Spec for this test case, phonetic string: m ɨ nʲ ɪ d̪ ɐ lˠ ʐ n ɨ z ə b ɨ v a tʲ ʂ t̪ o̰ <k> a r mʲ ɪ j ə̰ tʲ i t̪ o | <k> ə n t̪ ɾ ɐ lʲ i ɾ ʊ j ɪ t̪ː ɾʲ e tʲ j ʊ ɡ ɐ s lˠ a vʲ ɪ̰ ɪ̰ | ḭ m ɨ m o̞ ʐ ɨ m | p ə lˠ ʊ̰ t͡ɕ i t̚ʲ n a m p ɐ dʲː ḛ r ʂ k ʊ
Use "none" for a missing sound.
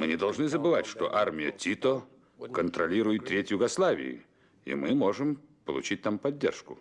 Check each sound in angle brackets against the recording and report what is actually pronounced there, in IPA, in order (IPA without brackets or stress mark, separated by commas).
ʔ, k